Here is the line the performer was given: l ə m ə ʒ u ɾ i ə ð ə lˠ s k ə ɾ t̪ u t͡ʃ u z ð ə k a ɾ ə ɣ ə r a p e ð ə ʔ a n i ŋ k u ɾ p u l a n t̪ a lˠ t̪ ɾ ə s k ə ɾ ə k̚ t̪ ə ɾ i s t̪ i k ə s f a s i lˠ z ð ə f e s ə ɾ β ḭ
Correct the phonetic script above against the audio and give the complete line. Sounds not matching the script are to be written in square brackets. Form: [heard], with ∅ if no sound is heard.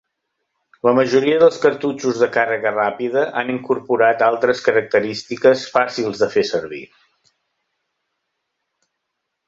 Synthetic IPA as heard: l ə m ə ʒ u ɾ i ə ð ə lˠ s k ə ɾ t̪ u t͡ʃ u z ð ə k a [r] ə ɣ ə r a p [i] ð ə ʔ a n i ŋ k u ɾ p u [ɾ] a [∅] t̪ a lˠ t̪ ɾ ə s k ə ɾ ə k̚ t̪ ə ɾ i s t̪ i k ə s f a s i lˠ z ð ə f e s ə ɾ β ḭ